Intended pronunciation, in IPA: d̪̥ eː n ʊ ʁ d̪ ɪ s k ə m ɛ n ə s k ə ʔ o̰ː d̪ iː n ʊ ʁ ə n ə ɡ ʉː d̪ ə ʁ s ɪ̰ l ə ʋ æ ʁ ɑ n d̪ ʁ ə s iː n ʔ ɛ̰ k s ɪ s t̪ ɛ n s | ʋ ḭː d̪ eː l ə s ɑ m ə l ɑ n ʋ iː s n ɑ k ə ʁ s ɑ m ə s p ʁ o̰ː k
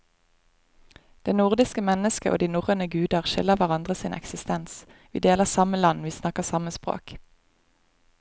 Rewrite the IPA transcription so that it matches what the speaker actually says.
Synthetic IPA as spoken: d̪̥ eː n ʊ ʁ d̪ ɪ s k ə m ɛ n ə s k ə ʔ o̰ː d̪ iː n ʊ ʁ ə n ə ɡ ʉː d̪ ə ʁ ʃ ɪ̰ l ə ʋ æ ʁ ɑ n d̪ ʁ ə s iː n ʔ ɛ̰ k s ɪ s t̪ ɛ n s | ʋ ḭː d̪ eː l ə s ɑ m ə l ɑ n ʋ iː s n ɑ k ə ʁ s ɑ m ə s p ʁ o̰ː k